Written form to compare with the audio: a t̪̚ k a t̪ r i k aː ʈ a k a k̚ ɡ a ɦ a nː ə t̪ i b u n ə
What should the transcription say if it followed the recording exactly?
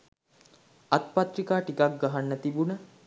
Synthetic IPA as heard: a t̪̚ p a t̪ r i k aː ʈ i k a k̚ ɡ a ɦ a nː ə t̪ i b u n ə